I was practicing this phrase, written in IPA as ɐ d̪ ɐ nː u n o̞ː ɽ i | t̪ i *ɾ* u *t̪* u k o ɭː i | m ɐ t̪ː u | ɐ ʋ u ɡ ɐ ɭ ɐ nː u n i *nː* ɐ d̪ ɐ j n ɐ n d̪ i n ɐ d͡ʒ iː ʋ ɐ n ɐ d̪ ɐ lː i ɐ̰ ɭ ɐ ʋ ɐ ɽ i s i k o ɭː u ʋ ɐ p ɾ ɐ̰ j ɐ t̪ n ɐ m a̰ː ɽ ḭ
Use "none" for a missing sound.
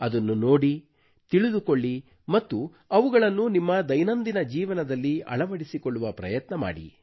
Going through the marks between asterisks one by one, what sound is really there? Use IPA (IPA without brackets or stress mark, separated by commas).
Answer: ɭ, d̪, mː